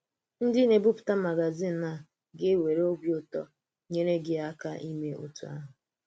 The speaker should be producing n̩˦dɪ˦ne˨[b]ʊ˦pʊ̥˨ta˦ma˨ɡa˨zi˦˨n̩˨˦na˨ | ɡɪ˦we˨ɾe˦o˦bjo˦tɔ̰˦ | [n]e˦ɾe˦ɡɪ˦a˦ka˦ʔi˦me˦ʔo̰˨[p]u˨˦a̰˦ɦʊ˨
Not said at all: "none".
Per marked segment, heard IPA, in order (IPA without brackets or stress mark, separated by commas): b, ɲ, t